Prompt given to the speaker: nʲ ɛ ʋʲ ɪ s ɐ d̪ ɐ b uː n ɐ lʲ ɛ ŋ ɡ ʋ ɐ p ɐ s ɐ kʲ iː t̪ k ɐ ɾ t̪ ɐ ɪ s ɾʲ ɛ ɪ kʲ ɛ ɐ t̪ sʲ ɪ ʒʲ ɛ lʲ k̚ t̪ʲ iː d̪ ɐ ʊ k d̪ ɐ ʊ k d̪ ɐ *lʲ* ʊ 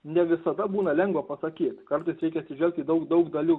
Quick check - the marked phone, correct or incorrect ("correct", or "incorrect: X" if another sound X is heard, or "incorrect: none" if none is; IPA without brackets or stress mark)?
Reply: correct